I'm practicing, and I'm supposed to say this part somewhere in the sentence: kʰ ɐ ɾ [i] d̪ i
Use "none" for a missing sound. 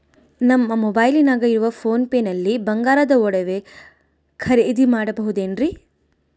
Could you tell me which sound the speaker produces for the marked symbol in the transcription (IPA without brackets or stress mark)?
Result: e